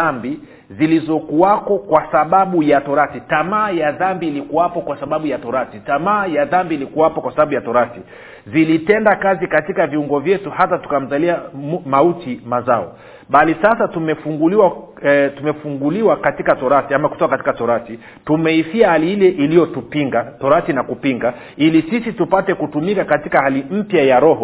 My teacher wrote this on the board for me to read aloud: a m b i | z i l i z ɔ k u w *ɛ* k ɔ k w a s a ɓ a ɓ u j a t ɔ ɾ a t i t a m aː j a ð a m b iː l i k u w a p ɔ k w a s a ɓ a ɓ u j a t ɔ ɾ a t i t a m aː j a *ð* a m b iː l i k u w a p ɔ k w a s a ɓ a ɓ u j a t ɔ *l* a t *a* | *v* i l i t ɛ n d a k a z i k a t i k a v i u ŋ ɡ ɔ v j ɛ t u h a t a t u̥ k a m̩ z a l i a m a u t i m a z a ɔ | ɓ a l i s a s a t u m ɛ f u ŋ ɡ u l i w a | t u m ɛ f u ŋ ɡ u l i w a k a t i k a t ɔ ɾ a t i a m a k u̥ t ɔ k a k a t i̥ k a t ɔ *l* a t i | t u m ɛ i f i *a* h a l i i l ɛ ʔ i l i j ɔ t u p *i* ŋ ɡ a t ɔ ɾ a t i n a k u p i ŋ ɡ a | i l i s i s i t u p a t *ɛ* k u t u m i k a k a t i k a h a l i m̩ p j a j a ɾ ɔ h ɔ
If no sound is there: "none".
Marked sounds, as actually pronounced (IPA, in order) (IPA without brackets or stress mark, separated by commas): a, ð, ɾ, i, z, ɾ, a, i, ɛ